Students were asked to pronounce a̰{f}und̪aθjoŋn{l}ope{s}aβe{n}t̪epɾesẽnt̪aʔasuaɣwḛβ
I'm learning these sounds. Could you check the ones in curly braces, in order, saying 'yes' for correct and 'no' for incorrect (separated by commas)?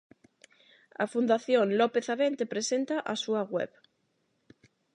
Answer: yes, yes, no, yes